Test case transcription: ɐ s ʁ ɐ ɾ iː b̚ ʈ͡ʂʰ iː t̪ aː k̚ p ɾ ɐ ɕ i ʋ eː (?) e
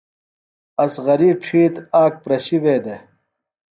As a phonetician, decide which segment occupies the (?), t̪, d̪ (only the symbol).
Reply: d̪